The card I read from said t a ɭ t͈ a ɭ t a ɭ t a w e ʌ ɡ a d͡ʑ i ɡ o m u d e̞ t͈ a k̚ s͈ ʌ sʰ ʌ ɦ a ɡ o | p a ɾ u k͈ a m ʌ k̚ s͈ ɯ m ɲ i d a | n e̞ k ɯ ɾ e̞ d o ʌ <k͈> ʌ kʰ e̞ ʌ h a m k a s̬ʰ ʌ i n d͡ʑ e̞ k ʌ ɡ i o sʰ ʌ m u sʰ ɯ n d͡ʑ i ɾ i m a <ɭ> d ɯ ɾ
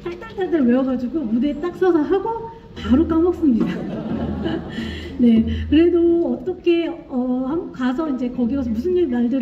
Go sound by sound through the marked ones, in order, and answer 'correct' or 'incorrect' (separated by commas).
incorrect, correct